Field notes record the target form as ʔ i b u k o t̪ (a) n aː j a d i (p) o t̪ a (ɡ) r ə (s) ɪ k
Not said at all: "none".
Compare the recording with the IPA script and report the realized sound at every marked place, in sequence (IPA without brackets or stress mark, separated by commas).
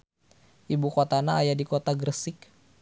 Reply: a, k, ɡ, s